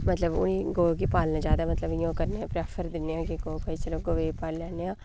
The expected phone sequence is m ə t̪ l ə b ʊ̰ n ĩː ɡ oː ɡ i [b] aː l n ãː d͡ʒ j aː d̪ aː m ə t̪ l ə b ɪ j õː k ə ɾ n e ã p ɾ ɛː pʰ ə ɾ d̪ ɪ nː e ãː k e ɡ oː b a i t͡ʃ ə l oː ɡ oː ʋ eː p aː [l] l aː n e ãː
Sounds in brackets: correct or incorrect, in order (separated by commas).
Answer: incorrect, correct